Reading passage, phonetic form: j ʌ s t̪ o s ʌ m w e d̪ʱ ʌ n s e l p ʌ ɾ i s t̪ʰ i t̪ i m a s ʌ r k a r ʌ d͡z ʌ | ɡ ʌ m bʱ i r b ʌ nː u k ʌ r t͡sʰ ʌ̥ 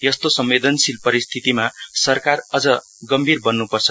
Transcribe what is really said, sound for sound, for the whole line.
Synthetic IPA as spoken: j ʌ s t̪ o s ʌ m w e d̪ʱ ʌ n s i l p ʌ ɾ i s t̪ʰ i t̪ i m a s ʌ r k a r ʌ d͡z ʌ | ɡ ʌ m bʱ i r b ʌ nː u p ʌ r t͡sʰ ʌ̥